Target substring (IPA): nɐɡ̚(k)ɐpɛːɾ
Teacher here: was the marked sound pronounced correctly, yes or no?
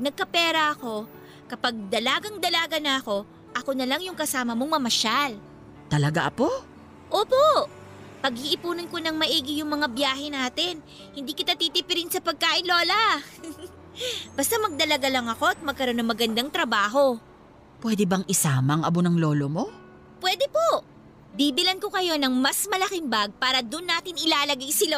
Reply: yes